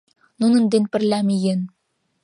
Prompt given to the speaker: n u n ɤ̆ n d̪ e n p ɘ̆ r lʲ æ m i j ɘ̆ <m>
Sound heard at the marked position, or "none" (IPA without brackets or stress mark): n